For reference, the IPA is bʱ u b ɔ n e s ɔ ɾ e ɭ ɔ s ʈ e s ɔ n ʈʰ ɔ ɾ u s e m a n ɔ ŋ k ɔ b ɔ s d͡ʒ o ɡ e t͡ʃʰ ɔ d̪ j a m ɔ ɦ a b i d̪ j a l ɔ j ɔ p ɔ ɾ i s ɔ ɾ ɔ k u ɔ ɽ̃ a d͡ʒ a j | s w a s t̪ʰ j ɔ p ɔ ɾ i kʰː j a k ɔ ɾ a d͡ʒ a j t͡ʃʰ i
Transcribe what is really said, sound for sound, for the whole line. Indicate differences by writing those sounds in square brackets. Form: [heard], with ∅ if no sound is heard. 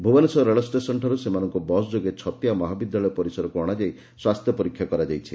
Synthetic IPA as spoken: bʱ u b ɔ n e s ɔ ɾ e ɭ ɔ s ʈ e s ɔ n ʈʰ ɔ ɾ u s e m a n ɔ ŋ k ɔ b ɔ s d͡ʒ o ɡ e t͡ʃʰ ɔ [t̪] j a m ɔ ɦ a b i d̪ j a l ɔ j ɔ p ɔ ɾ i s ɔ ɾ ɔ k u ɔ ɽ̃ a d͡ʒ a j | s w a s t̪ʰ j ɔ p ɔ ɾ i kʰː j a k ɔ ɾ a d͡ʒ a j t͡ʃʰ i

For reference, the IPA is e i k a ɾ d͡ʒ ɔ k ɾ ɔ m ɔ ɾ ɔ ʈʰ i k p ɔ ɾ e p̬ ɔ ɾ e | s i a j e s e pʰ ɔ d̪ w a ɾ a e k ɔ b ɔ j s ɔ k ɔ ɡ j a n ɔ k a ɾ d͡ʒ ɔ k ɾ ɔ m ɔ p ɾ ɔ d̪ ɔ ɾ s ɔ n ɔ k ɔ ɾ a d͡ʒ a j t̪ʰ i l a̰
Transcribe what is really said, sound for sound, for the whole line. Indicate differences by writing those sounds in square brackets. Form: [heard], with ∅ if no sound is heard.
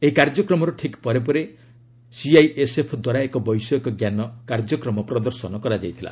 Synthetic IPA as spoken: e i k a ɾ d͡ʒ ɔ k ɾ ɔ m ɔ ɾ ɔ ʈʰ i k p ɔ ɾ e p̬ ɔ ɾ e | s i a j e s e pʰ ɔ d̪ w a ɾ a e k ɔ b ɔ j s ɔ k ɔ ɡ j a n ɔ k a ɾ d͡ʒ ɔ k ɾ ɔ m ɔ p ɾ ɔ d̪ ɔ ɾ s ɔ n ɔ k ɔ ɾ a d͡ʒ a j t̪ʰ i l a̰

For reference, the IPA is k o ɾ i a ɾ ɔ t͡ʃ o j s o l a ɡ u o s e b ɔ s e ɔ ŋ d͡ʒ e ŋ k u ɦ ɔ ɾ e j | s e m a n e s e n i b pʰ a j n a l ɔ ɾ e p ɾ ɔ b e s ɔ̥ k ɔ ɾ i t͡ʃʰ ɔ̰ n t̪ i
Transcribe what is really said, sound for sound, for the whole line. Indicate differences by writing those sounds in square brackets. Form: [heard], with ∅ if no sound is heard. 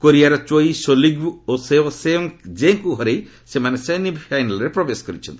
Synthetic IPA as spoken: k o ɾ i a ɾ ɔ t͡ʃ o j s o l [i] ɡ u o s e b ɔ s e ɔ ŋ d͡ʒ e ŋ k u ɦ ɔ ɾ e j | s e m a n e s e n i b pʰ a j n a l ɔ ɾ e p ɾ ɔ b e s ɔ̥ k ɔ ɾ i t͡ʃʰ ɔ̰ n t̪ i

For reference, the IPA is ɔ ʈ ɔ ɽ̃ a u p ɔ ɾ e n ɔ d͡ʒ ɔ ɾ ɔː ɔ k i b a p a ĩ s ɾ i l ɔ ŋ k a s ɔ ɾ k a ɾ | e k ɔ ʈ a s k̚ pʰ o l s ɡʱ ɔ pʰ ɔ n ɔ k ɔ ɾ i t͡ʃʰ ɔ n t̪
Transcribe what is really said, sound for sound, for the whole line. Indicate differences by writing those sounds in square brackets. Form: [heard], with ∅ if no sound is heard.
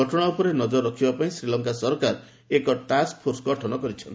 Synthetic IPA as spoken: ɔ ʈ ɔ ɽ̃ a u p ɔ ɾ e n ɔ d͡ʒ ɔ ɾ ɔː ɔ [kʰ] i b a p a ĩ s ɾ i l ɔ ŋ k a s ɔ ɾ k a ɾ | e k ɔ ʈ a s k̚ pʰ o [ɾ] s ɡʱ ɔ [ʈʰ] ɔ n ɔ k ɔ ɾ i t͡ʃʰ ɔ n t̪

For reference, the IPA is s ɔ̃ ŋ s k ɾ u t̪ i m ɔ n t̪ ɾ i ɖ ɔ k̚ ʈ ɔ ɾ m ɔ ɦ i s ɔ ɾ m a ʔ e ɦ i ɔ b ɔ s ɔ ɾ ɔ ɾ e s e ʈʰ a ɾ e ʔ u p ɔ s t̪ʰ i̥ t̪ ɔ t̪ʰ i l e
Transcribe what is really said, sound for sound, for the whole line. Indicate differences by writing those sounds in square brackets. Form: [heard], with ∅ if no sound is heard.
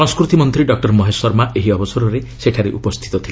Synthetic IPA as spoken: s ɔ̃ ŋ s k ɾ u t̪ i m ɔ n t̪ ɾ i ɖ ɔ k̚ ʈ ɔ ɾ m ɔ ɦ [e] s ɔ ɾ m a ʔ e ɦ i ɔ b ɔ s ɔ ɾ ɔ ɾ e s e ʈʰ a ɾ e ʔ u p ɔ s t̪ʰ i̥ t̪ ɔ t̪ʰ i l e

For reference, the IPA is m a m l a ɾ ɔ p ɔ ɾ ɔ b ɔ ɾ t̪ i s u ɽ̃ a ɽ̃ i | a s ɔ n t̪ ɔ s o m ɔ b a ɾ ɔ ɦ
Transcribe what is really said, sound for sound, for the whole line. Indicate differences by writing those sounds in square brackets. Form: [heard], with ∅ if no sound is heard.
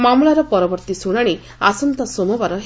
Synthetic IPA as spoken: m a m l a ɾ ɔ p ɔ ɾ ɔ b ɔ ɾ t̪ i s u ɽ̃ a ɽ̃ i | a s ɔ n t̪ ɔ s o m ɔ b a ɾ ɔ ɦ

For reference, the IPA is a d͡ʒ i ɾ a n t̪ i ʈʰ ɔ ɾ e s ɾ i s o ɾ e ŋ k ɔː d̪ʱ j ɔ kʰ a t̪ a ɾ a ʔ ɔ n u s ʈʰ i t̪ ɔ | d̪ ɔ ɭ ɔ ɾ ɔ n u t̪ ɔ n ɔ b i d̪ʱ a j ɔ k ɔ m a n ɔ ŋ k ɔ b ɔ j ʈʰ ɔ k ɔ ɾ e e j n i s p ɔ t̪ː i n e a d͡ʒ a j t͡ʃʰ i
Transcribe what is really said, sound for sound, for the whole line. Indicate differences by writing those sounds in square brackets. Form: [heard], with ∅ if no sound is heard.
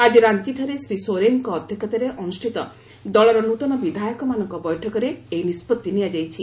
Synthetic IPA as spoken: a d͡ʒ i ɾ a n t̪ i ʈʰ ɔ ɾ e s ɾ i s o ɾ e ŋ k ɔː d̪ʱ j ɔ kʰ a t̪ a ɾ [e] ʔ ɔ n u s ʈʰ i t̪ ɔ | d̪ ɔ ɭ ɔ ɾ ɔ n u t̪ ɔ n ɔ b i d̪ʱ a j ɔ k ɔ m a n ɔ ŋ k ɔ b ɔ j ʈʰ ɔ k ɔ ɾ e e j n i s p ɔ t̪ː i n [i] a d͡ʒ a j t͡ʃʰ i

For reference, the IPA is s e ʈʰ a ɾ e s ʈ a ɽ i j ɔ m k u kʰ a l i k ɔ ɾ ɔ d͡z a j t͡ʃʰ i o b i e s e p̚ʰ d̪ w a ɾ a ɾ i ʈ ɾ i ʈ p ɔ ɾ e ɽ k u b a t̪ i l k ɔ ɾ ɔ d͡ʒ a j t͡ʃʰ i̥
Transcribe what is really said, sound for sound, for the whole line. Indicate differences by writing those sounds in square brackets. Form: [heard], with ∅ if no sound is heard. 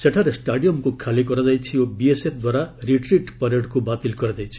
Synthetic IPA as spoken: s e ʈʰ a ɾ e s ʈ a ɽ i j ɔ m k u kʰ a l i k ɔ ɾ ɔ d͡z a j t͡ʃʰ i o b i e s e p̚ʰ d̪ w a ɾ a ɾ i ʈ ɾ i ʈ p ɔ ɾ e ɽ k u b a t̪ i l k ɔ ɾ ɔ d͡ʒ a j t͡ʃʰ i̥

